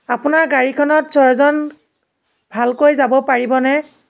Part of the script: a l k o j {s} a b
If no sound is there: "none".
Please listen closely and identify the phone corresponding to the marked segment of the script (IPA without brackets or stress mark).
z